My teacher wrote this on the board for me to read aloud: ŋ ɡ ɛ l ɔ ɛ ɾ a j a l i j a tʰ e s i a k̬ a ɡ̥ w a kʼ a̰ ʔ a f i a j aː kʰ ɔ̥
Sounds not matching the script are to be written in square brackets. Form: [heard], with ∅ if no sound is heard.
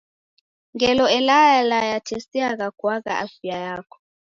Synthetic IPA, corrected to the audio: ŋ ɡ ɛ l ɔ ɛ [l] a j a l [a] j a tʰ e s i a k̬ a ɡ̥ w a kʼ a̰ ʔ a f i a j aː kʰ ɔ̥